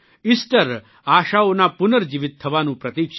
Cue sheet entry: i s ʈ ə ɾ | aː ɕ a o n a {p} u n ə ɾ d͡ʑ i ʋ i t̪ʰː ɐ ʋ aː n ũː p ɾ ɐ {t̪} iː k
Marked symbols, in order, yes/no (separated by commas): yes, yes